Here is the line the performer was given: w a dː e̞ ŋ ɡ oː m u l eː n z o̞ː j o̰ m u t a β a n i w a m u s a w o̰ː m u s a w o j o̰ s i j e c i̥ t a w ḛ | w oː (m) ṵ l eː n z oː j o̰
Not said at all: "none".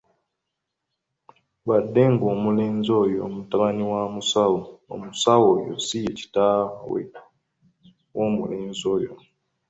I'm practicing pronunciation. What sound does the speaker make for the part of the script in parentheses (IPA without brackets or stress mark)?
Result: m